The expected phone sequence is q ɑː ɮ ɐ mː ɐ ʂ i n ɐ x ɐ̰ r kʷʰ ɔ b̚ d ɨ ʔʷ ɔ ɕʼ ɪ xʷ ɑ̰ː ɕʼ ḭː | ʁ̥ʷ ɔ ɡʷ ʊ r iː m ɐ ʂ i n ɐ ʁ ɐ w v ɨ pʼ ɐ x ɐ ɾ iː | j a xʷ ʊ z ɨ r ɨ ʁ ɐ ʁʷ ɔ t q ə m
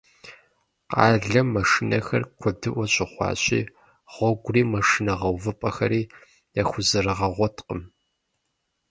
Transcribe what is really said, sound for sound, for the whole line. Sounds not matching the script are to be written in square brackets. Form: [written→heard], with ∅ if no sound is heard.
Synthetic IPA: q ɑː ɮ ɐ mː ɐ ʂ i n ɐ x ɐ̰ r kʷʰ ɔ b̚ d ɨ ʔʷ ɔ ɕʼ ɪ [xʷ→χʷ] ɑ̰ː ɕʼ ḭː | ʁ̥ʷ ɔ ɡʷ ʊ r iː m ɐ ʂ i n ɐ ʁ ɐ w v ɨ pʼ ɐ x ɐ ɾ iː | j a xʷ ʊ z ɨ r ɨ ʁ ɐ ʁʷ ɔ t q ə m